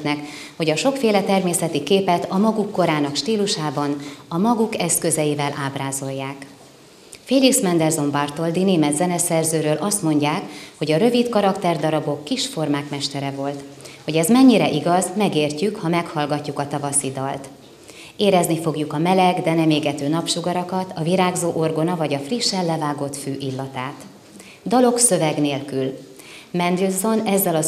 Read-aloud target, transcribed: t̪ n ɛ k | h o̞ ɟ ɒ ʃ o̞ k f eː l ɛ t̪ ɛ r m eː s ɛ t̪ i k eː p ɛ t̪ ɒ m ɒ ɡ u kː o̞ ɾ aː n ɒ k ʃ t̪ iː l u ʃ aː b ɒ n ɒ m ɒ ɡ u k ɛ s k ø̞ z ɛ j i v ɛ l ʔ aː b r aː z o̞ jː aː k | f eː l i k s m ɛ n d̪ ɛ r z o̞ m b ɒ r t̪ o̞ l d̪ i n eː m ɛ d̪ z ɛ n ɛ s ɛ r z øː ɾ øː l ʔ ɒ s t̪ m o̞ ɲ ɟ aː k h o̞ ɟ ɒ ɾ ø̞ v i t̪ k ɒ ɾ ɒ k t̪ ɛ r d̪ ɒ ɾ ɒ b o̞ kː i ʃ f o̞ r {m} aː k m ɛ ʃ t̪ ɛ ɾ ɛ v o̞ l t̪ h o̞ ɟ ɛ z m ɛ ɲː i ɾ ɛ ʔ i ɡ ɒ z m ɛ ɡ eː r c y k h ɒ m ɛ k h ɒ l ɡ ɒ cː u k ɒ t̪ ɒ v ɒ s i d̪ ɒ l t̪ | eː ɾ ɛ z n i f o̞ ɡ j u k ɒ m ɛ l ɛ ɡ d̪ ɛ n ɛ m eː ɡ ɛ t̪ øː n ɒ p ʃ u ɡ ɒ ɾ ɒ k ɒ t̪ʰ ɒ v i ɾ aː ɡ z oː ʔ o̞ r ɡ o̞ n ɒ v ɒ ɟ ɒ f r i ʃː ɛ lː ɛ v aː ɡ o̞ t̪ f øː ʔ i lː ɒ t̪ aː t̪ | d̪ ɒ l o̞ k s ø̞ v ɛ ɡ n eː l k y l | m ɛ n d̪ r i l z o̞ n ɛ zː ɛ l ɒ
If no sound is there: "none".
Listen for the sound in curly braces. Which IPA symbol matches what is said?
m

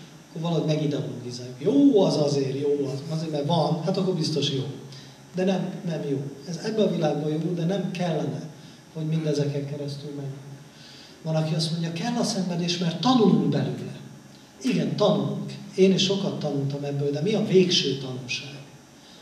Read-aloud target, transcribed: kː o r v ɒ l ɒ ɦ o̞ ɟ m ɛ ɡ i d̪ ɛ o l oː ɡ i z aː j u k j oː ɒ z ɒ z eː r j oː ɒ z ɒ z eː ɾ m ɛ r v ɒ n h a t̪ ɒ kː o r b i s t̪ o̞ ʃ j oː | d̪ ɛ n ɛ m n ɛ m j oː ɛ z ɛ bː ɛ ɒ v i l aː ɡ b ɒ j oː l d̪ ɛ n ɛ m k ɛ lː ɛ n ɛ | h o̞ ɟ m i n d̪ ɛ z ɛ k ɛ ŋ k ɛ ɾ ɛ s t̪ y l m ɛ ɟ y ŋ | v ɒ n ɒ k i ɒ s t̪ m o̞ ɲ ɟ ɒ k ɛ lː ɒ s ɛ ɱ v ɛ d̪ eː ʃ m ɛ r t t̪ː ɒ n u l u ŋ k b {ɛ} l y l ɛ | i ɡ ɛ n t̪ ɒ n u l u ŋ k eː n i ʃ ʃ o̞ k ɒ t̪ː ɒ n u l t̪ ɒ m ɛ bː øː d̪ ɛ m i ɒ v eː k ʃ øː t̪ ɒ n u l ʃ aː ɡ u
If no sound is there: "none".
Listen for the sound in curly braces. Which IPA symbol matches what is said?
ɛ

